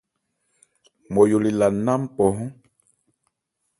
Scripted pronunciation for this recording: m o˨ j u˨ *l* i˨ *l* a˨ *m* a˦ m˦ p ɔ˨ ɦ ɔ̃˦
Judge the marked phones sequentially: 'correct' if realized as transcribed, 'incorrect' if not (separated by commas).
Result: correct, correct, incorrect